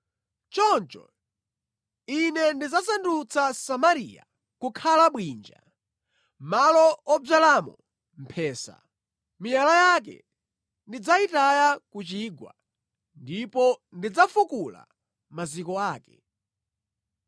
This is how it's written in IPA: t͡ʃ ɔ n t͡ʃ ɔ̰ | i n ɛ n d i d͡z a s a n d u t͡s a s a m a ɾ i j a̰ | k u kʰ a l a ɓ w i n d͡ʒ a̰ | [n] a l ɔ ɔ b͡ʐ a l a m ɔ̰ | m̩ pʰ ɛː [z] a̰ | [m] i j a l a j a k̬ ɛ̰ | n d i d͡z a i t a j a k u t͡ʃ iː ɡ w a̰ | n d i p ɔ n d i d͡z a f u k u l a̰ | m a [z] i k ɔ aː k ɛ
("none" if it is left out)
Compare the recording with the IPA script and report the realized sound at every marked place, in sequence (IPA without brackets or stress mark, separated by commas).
m, s, m, z